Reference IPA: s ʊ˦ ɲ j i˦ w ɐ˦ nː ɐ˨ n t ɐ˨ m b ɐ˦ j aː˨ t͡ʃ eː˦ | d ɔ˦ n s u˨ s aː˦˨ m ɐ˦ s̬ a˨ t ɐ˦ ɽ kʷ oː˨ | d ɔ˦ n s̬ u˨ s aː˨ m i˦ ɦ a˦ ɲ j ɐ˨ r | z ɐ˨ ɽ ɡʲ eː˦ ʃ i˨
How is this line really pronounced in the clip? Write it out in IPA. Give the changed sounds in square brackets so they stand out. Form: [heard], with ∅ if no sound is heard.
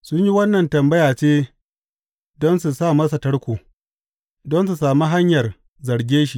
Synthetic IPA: s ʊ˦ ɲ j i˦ w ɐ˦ nː ɐ˨ n t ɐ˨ m b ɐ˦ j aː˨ t͡ʃ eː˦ | d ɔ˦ n s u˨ s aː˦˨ m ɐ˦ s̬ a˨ t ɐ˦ ɽ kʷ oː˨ | d ɔ˦ n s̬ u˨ s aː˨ m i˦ ɦ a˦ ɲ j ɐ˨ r | z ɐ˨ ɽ ɡʲ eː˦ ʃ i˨